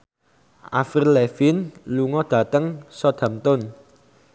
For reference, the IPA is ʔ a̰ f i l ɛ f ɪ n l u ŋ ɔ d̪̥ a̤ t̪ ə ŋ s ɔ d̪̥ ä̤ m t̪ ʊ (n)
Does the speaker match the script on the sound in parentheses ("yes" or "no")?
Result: yes